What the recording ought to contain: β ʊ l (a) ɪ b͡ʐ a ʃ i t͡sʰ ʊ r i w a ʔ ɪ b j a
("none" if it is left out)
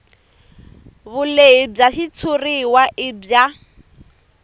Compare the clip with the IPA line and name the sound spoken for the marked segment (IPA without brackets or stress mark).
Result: e